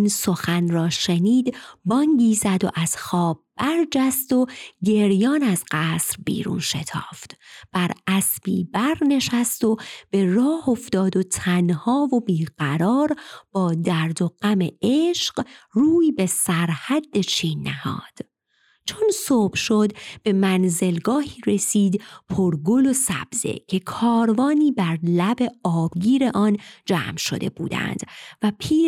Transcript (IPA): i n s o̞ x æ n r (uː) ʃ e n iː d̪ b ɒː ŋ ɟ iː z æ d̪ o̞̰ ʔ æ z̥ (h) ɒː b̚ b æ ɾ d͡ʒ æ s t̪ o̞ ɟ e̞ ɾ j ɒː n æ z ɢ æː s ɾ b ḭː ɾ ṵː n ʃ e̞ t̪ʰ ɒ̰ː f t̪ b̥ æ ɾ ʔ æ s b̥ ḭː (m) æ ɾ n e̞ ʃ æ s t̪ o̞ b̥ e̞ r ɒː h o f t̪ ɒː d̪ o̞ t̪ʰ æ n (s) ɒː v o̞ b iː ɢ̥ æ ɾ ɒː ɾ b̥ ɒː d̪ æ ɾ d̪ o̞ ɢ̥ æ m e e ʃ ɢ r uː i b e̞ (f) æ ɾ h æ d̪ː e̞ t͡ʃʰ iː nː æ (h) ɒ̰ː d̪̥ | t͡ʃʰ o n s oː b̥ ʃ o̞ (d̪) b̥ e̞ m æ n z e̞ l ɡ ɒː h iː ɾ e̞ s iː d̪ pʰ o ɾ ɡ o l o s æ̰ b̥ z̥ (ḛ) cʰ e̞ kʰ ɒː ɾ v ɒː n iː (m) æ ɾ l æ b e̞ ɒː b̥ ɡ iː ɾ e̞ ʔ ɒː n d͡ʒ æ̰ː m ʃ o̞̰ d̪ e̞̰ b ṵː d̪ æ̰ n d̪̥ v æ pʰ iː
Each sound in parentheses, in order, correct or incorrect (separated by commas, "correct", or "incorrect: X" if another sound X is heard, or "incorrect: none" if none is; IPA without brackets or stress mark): incorrect: ɒː, incorrect: x, incorrect: b, incorrect: h, incorrect: s, correct, correct, correct, incorrect: b